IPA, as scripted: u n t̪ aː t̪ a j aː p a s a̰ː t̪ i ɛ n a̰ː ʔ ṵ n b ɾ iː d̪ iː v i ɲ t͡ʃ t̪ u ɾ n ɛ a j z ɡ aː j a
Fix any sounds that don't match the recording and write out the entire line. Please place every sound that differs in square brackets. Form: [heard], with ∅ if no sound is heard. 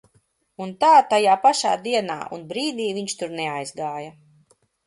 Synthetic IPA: u n t̪ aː t̪ a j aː p a [ʃ] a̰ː [d̪] i ɛ n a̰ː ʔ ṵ n b ɾ iː d̪ iː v i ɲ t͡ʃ t̪ u ɾ n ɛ a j z ɡ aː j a